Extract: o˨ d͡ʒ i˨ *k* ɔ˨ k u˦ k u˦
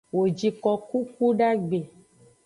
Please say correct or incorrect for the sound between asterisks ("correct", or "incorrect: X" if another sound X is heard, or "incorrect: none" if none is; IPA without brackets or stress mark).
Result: correct